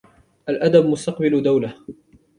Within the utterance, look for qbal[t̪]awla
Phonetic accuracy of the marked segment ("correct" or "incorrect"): incorrect